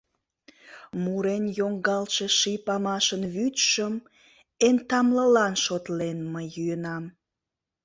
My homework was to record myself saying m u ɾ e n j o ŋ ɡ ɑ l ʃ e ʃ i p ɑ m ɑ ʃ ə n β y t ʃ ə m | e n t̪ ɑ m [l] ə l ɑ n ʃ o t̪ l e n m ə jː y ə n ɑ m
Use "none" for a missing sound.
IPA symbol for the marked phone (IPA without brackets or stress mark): l